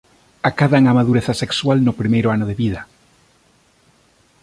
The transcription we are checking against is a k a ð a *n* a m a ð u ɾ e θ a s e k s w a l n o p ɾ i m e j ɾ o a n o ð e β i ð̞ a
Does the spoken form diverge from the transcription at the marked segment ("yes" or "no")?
yes